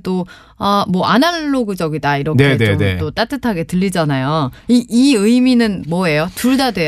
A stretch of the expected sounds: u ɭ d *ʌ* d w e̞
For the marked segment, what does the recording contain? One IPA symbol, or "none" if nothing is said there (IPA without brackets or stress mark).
a